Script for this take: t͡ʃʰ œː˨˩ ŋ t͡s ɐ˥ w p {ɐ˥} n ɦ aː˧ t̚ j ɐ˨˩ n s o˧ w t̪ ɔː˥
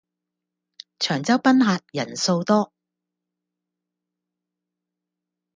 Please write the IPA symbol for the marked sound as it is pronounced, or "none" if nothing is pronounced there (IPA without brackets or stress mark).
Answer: ɐ˥